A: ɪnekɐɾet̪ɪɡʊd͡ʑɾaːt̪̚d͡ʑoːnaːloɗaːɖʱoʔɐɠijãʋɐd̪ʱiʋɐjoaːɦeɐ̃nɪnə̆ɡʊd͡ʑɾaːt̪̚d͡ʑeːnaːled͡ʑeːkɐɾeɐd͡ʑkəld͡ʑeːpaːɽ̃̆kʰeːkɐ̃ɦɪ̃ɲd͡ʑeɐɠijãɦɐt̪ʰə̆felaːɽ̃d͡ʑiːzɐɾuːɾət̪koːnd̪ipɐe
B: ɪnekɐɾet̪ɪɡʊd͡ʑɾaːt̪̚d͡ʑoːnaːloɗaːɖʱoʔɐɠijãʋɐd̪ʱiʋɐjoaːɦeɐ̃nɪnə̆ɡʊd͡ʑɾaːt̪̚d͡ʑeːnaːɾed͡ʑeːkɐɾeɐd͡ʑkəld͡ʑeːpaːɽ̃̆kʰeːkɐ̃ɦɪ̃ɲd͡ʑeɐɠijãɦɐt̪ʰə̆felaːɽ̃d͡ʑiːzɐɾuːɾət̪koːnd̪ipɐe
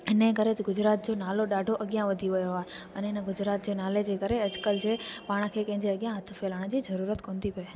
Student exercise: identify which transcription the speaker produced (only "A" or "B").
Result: A